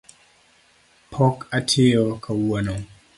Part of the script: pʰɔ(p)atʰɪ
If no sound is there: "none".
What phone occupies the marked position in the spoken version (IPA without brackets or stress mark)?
k